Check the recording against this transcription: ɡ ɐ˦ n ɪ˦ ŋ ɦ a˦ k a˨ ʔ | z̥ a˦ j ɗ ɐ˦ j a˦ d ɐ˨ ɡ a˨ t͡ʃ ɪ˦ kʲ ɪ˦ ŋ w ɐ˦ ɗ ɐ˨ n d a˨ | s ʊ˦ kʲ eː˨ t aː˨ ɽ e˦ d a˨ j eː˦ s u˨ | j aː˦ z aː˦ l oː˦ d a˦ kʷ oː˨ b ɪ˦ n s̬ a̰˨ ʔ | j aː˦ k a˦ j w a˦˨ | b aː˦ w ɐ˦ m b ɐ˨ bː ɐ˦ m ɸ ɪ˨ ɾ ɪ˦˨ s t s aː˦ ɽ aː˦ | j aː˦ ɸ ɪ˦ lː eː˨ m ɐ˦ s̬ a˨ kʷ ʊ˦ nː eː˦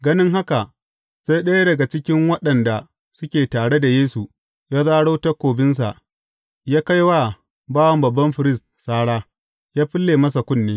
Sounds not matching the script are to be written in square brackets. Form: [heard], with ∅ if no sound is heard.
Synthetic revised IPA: ɡ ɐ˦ n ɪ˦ ŋ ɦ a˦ k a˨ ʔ | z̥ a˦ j ɗ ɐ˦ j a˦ d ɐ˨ ɡ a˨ t͡ʃ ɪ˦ kʲ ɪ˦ ŋ w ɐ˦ ɗ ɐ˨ n d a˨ | s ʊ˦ kʲ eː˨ t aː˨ ɽ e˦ d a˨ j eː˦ s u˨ | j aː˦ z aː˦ [ɽ] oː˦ [t] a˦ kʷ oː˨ b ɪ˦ n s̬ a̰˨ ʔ | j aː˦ k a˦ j w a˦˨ | b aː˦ w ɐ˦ m b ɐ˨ bː ɐ˦ m ɸ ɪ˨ ɾ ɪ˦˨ s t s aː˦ ɽ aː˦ | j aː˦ ɸ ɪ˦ lː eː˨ m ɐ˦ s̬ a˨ kʷ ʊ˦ nː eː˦

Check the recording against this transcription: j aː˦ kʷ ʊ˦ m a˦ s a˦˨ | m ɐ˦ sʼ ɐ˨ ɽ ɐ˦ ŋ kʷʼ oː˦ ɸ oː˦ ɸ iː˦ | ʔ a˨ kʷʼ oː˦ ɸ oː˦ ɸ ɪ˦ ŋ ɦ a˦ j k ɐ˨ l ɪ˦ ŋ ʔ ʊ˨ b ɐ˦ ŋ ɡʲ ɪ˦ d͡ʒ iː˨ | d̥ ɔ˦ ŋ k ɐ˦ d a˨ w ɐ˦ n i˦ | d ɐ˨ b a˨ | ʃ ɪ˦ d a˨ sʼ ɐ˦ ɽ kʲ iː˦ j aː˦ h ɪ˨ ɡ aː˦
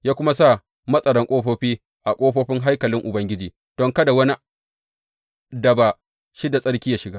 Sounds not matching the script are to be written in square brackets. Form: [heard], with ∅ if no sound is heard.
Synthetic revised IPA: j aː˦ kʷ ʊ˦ m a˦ s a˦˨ | m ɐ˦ sʼ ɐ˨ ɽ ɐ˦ ŋ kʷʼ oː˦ ɸ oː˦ ɸ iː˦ | ʔ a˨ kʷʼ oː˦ ɸ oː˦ ɸ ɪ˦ ŋ ɦ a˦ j k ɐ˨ l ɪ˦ ŋ ʔ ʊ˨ b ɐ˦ ŋ ɡʲ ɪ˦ d͡ʒ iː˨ | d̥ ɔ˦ ŋ k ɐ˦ d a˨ w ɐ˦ n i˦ | d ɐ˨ b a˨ | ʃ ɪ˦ d a˨ sʼ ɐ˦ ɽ kʲ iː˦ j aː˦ [ʃ] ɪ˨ ɡ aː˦

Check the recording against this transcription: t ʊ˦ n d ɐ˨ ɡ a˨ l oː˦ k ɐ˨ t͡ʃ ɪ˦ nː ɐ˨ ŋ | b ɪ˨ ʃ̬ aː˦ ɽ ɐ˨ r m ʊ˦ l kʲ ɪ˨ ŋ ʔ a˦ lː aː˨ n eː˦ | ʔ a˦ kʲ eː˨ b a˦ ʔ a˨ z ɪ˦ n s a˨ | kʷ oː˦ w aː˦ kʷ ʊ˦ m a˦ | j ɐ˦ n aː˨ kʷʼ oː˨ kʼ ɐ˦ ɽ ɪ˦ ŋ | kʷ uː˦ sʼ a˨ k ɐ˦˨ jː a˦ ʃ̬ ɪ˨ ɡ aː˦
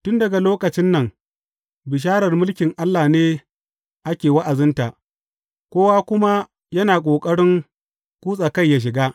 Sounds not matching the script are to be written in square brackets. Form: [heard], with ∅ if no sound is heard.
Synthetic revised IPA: t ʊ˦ n d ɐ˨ ɡ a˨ l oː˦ k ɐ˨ t͡ʃ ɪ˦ nː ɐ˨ ŋ | b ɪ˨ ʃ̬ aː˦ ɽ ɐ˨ r m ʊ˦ l kʲ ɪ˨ ŋ ʔ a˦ lː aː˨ n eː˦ | ʔ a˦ kʲ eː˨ [w] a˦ ʔ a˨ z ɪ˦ n [t] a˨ | kʷ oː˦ w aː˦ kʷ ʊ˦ m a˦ | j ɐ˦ n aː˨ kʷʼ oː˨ kʼ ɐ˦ ɽ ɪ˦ ŋ | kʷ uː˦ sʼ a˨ k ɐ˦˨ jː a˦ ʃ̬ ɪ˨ ɡ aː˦

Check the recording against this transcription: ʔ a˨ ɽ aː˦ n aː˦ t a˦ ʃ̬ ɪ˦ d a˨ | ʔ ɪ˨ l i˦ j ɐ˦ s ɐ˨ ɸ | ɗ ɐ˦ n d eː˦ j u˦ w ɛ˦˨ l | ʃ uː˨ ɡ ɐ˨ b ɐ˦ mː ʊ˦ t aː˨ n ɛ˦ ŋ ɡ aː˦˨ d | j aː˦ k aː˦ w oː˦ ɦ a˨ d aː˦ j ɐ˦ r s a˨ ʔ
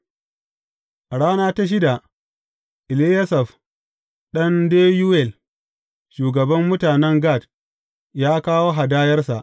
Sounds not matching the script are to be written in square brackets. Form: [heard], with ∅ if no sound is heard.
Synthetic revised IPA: ʔ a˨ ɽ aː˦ n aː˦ t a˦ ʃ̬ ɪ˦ d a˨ | ʔ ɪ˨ l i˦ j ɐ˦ s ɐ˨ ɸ | ɗ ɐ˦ n d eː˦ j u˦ w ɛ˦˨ l | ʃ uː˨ ɡ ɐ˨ b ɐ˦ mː ʊ˦ t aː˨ n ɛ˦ ŋ ɡ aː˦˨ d | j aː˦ k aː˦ w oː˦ ɦ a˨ d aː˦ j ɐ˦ r s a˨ ʔ

